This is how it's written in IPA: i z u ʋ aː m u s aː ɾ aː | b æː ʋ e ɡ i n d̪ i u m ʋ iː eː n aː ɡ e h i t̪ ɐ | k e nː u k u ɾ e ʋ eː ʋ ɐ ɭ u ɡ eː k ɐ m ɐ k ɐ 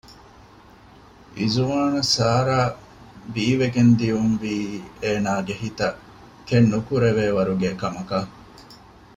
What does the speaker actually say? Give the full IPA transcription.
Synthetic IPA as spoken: i z u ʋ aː n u s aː ɾ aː | b iː ʋ e ɡ e n d̪ i u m ʋ iː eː n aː ɡ e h i t̪ ɐ | k e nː u k u ɾ e ʋ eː ʋ ɐ ɾ u ɡ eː k ɐ m ɐ k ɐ